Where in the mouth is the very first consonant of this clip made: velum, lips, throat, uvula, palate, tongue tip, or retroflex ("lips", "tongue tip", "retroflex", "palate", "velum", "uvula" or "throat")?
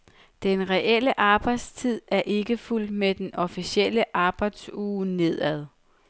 tongue tip